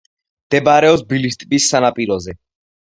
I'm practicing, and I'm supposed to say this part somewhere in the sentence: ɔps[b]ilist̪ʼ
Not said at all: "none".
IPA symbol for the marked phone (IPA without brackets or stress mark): b